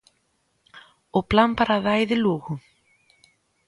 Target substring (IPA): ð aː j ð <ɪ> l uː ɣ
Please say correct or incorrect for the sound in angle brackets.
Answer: correct